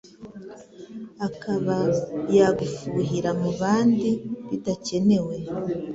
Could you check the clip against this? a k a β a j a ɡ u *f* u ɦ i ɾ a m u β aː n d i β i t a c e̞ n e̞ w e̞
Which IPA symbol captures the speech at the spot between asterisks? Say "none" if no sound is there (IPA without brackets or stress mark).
f